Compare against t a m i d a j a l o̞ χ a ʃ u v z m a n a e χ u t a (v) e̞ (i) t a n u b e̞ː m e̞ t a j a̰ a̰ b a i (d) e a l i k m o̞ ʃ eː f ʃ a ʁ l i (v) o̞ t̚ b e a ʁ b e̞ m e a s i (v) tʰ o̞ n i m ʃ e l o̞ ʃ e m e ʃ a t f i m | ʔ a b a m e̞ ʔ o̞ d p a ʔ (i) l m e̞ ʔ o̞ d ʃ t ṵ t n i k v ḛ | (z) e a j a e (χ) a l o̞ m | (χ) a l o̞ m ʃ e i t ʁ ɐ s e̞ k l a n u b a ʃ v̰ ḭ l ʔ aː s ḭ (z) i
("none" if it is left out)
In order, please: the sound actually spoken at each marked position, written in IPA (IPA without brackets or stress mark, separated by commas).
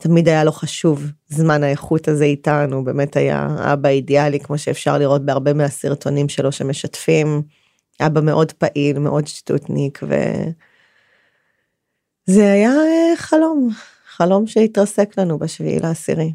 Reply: z, i, d, ʁ, ʁ, i, z, χ, χ, ʁ